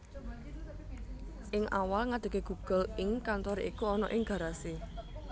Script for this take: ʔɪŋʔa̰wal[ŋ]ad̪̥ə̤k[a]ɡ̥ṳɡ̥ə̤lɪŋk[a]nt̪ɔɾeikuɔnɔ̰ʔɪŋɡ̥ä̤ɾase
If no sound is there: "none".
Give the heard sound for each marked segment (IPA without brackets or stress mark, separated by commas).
ŋ, e, a